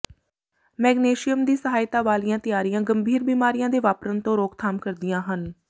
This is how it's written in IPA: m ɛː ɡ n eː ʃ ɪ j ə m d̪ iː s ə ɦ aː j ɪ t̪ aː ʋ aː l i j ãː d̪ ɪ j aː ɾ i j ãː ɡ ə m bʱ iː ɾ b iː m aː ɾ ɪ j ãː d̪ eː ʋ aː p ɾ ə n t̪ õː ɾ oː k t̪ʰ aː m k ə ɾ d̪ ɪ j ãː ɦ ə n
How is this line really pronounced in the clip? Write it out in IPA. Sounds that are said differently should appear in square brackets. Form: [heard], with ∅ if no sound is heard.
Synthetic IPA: m ɛː ɡ n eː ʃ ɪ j ə m d̪ iː s ə ɦ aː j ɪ t̪ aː ʋ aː l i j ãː [t̪] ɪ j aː ɾ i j ãː ɡ ə m bʱ iː ɾ b iː m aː ɾ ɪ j ãː d̪ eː ʋ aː p ɾ ə n t̪ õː ɾ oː k t̪ʰ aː m k ə ɾ d̪ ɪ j ãː ɦ ə n